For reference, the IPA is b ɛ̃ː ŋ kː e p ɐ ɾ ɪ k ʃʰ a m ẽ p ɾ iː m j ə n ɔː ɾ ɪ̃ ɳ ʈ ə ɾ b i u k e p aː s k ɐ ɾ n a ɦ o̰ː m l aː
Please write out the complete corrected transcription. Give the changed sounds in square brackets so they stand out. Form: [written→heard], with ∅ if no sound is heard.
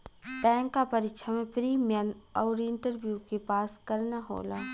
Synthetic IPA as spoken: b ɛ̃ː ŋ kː [e→a] p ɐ ɾ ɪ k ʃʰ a m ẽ p ɾ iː m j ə n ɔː ɾ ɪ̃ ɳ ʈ ə ɾ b [i→j] u k e p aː s k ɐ ɾ n a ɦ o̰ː [m→∅] l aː